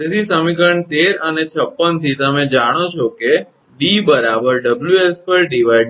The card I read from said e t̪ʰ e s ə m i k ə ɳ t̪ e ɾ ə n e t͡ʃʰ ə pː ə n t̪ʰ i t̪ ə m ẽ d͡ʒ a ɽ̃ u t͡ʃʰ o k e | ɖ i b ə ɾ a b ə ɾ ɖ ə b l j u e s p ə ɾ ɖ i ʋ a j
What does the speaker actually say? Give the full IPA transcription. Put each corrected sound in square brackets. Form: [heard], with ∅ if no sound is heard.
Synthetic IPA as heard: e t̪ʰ [i] s ə m i k ə ɳ t̪ e ɾ ə n e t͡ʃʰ ə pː ə n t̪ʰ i t̪ ə m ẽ d͡ʒ a ɽ̃ [o] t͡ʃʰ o k e | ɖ i b ə ɾ a b ə ɾ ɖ ə b l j u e s p ə ɾ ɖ i ʋ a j

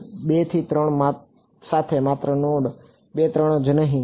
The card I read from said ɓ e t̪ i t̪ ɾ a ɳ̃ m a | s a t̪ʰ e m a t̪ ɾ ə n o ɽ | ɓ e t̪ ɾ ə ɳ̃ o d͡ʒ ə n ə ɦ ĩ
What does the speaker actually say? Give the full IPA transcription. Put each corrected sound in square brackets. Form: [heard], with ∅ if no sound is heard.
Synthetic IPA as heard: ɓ e [t̪ʰ] i t̪ ɾ [ə] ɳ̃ m a | s a t̪ʰ e m a t̪ ɾ ə n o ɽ | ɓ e t̪ ɾ ə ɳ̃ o d͡ʒ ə n ə ɦ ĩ

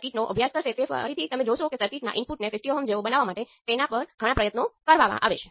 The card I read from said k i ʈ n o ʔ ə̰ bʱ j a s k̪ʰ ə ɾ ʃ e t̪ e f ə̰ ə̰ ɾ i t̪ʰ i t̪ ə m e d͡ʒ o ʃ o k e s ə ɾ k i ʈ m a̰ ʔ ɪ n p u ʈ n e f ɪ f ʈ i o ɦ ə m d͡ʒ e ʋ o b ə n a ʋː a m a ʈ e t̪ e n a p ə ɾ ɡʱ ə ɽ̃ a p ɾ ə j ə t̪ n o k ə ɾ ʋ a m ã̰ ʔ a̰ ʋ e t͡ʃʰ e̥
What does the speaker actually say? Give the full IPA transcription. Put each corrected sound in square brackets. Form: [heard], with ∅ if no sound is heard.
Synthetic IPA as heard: k i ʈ n o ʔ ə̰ bʱ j a s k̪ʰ ə ɾ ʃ e t̪ e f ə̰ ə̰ ɾ i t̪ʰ i t̪ ə m e d͡ʒ o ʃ o k e s ə ɾ k i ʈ [n] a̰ ʔ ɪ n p u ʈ n e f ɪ f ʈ i o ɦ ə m d͡ʒ e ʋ o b ə n a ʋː a m a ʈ e t̪ e n a p ə ɾ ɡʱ ə ɽ̃ a p ɾ ə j ə t̪ n o k ə ɾ ʋ a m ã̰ ʔ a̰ ʋ e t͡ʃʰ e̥

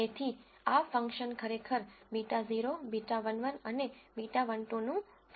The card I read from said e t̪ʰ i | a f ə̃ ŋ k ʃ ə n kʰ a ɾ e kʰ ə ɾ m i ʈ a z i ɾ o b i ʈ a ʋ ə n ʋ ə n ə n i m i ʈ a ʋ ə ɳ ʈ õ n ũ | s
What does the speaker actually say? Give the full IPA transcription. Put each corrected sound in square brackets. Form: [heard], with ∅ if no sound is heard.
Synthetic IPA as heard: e t̪ʰ i | a f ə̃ ŋ k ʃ ə n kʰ [ə] ɾ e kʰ ə ɾ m i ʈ a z i ɾ o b i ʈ a ʋ ə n ʋ ə n ə n [e] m i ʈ a ʋ ə ɳ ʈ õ n ũ | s

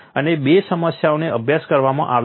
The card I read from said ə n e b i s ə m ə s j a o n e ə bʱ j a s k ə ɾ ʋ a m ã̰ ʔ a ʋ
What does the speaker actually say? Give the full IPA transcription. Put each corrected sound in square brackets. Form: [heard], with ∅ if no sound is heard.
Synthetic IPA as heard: ə n e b [e] s ə m ə s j a o n e ə bʱ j a s k ə ɾ ʋ a m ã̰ ʔ a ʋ

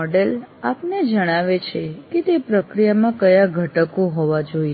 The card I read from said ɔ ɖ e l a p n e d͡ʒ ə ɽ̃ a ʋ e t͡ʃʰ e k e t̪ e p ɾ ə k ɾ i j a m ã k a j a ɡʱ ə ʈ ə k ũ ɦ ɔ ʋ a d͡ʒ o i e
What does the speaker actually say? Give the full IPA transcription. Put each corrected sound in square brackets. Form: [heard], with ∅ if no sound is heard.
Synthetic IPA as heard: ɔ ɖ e l a p n e d͡ʒ ə ɽ̃ a ʋ e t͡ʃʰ e k e t̪ e p ɾ ə k ɾ i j a m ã k [ə] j a ɡʱ ə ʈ ə k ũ ɦ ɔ ʋ a d͡ʒ o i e

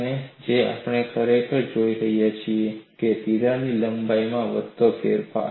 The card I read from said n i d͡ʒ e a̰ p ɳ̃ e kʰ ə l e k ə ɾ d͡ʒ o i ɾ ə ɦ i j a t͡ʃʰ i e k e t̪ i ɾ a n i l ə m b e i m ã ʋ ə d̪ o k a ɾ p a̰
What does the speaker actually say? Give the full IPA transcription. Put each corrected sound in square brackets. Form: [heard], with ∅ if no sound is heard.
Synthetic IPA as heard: n [e] d͡ʒ e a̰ p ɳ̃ e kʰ ə [ɾ] e k ə ɾ d͡ʒ o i ɾ ə ɦ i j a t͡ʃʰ i e k e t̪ i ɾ a n i l ə m b [a] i m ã ʋ ə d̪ o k [e] ɾ p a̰

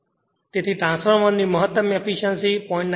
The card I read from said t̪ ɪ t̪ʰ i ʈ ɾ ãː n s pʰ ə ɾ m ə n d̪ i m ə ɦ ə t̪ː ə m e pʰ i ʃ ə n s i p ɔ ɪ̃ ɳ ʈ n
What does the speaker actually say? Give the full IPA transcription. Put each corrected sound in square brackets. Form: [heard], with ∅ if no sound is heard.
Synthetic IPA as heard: t̪ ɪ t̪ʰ i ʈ ɾ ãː n s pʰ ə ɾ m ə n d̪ i m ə ɦ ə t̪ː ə m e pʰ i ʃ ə n s i p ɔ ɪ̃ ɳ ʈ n

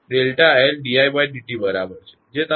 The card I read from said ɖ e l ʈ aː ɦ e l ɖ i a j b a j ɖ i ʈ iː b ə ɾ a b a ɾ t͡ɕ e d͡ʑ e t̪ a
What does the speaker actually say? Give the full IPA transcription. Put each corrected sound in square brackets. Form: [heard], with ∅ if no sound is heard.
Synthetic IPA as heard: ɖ e l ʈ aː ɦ e l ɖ i a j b a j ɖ i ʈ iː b ə ɾ a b [ə] ɾ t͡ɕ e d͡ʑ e t̪ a

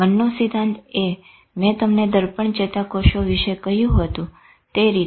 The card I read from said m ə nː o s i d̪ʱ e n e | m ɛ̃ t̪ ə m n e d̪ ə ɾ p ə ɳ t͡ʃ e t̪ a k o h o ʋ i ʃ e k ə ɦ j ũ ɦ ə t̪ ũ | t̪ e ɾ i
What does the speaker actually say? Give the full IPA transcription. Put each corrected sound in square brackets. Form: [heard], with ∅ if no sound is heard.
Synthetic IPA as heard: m ə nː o s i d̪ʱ [a] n e | m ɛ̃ t̪ ə m n e d̪ ə ɾ p ə ɳ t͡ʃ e t̪ a k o [ʃ] o ʋ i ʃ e k ə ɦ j ũ ɦ ə t̪ ũ | t̪ e ɾ i

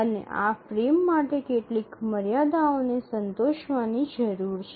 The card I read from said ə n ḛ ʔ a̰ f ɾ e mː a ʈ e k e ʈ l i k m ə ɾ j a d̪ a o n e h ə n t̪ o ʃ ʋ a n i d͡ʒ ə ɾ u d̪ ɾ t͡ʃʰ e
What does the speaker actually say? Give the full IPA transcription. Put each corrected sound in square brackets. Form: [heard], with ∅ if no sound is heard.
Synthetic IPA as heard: ə n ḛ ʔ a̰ f ɾ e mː a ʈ e k e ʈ l i k m ə ɾ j a d̪ a o n e [s] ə n t̪ o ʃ ʋ a n i d͡ʒ ə ɾ u [∅] ɾ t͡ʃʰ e

